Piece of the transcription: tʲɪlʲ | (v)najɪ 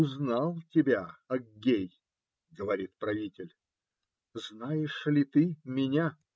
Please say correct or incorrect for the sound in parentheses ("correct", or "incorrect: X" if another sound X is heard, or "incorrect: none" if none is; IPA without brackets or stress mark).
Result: incorrect: z